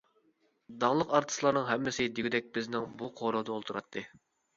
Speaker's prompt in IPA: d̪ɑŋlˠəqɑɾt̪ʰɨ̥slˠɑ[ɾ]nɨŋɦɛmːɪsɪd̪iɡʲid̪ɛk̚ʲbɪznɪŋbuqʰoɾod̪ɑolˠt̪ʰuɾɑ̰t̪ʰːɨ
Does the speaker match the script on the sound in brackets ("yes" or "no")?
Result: yes